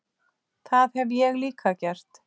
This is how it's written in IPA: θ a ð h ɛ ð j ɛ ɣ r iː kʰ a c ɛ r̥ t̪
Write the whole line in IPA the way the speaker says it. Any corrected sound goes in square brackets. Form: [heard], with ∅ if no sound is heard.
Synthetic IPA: θ a ð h ɛ [v] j ɛ ɣ [l] iː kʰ a c ɛ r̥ t̪